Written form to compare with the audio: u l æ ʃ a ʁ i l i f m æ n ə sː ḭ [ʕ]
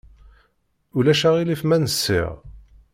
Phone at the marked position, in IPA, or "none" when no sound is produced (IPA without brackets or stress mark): ʁ